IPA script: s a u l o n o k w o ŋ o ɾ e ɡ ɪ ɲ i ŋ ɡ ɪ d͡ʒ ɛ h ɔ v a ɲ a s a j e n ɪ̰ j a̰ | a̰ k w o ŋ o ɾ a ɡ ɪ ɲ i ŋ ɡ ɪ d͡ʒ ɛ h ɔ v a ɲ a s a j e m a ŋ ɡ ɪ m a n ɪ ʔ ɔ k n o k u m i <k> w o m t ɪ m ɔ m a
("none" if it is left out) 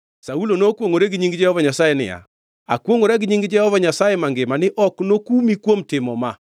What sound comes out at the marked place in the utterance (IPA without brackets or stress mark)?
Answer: k